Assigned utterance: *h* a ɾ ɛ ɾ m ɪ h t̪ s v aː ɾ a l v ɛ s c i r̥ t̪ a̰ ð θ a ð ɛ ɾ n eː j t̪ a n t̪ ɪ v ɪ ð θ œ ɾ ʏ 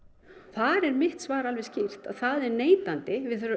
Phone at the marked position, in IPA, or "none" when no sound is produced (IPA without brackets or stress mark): θ